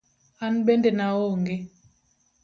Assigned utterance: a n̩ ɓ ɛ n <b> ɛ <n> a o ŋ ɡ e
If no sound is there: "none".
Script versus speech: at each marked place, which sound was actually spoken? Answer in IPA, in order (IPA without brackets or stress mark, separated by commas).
d, n